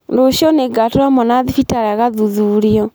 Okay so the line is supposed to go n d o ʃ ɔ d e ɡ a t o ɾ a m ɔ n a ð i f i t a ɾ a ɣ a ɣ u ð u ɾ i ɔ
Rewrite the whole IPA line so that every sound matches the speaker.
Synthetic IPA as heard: n d o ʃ ɔ n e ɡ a t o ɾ a m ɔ n a ð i f i t a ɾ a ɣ a ð u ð u ɾ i ɔ

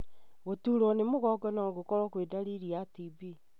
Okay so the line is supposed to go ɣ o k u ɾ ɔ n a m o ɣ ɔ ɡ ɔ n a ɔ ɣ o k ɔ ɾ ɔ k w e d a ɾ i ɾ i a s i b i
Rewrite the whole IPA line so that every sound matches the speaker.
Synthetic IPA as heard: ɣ o t u ɾ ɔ n e m o ɣ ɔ ɡ ɔ n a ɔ ɣ o k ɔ ɾ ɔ k w e d a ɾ i ɾ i a t i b i

